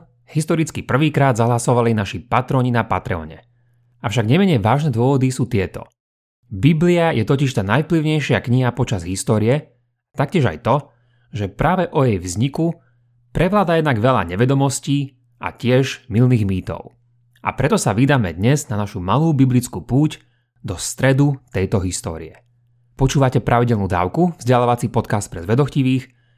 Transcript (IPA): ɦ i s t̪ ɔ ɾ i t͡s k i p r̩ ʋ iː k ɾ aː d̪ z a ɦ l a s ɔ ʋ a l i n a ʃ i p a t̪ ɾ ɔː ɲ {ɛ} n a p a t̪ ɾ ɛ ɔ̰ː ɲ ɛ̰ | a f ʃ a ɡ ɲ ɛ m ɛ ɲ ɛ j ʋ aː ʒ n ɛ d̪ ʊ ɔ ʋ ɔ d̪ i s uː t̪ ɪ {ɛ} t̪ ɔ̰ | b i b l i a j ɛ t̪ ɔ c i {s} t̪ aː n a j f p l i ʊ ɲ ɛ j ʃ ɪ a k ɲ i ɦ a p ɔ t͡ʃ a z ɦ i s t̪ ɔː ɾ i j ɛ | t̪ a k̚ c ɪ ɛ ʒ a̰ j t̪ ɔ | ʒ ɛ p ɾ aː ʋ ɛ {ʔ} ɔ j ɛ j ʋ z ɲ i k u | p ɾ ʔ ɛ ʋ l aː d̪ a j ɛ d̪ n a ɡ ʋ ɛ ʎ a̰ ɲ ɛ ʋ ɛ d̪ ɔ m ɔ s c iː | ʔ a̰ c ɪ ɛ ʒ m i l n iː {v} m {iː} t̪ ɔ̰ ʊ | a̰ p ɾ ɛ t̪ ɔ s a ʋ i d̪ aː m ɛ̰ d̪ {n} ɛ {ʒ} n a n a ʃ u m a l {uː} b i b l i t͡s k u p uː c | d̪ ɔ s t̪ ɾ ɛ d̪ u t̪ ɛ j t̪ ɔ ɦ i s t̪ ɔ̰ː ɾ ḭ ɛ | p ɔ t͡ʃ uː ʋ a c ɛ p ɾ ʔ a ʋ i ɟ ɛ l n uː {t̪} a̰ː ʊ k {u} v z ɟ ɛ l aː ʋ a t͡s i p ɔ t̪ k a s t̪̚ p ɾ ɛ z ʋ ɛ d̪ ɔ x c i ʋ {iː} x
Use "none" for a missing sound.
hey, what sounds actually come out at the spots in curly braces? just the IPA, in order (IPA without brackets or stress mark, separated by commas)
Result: i, ɛ, ʃ, ʔ, ɣ, iː, ɲ, z, uː, d̪, u, iː